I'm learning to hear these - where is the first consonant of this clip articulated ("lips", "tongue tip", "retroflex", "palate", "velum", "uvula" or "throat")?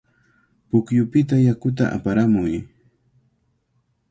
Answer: lips